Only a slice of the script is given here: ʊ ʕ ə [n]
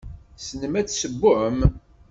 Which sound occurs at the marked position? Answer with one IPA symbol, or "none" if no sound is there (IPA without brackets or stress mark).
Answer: m